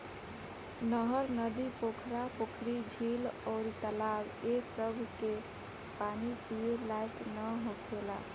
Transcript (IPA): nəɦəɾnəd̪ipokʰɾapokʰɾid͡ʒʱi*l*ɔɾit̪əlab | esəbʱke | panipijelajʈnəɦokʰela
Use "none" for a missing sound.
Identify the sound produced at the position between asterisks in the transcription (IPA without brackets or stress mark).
l